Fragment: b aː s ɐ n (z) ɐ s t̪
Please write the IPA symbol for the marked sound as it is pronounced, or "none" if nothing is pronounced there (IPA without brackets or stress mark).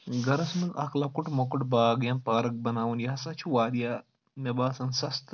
s